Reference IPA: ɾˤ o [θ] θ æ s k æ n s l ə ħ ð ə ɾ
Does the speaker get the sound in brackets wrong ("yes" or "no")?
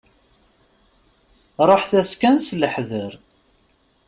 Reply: yes